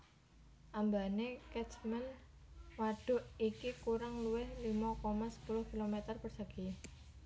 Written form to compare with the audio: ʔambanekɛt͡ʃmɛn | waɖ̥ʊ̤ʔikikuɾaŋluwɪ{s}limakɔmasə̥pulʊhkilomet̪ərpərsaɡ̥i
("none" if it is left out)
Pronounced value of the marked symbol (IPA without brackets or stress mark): h